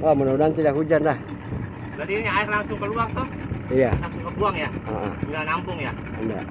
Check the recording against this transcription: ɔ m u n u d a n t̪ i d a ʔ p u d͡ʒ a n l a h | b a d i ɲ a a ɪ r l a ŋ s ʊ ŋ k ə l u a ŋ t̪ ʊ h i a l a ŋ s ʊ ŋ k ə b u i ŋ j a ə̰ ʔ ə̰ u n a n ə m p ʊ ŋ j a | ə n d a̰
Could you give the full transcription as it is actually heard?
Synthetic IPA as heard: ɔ m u n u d a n t̪ i d a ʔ k u d͡ʒ a n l a h | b a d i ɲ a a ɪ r l a ŋ s ʊ ŋ k ə l u a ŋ t̪ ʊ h i a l a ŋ s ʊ ŋ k ə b u a ŋ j a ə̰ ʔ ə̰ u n a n a m p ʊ ŋ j a | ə n d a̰